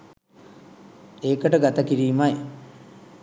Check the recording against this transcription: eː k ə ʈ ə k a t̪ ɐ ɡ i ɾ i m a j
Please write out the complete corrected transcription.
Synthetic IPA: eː k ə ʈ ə ɡ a t̪ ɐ k i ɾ iː m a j